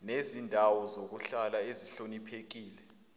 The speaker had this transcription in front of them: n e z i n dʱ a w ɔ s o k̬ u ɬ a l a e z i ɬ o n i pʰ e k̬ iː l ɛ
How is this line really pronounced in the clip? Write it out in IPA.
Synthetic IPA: n e z i n dʱ a w ɔ z o k̬ u ɬ a l a e z i ɬ o n i pʰ e k̬ iː l ɛ